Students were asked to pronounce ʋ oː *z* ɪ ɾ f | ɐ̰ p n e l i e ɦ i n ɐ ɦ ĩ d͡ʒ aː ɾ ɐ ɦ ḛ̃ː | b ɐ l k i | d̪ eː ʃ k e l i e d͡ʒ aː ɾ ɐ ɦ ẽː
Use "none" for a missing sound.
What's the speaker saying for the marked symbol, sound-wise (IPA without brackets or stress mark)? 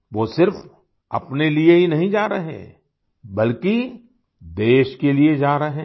s